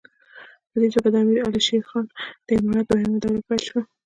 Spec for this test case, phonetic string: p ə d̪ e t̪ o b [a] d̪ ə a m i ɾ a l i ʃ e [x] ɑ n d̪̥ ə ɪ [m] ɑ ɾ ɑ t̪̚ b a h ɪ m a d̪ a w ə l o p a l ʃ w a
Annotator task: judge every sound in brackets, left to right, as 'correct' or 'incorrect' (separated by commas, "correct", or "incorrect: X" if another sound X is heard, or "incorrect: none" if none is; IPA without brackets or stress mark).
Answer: correct, correct, correct